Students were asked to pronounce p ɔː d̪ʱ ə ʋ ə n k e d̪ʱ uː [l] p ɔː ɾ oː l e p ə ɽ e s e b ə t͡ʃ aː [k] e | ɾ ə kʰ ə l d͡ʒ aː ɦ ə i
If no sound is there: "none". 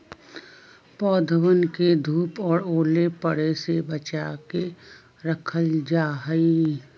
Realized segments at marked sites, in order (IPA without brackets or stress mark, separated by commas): none, k